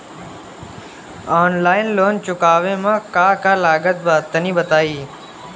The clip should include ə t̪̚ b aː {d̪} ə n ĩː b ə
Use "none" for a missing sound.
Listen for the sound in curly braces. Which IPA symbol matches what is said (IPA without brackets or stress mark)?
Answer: t̪